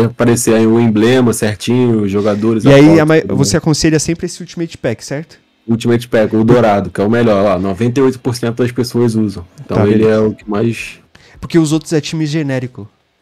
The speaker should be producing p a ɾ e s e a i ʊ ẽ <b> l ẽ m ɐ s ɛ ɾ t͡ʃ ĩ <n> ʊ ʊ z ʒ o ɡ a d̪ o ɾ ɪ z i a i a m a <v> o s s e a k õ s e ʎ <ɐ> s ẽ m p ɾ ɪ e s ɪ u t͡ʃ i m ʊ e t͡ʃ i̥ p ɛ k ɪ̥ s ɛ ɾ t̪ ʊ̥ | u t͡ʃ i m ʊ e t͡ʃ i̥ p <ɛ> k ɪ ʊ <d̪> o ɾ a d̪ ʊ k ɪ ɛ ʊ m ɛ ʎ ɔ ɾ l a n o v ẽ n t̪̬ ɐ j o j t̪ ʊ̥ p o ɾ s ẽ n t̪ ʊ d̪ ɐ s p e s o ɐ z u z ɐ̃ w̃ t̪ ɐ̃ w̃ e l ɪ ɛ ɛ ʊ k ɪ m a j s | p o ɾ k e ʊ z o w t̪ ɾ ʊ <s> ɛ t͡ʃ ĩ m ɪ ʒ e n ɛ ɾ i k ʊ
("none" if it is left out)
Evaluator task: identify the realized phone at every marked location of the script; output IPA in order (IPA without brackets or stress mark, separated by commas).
b, ɲ, v, ɐ, ɛ, d̪, z